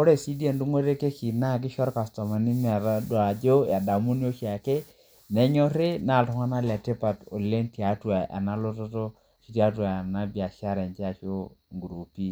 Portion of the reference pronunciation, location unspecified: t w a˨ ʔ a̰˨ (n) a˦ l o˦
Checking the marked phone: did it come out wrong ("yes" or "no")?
no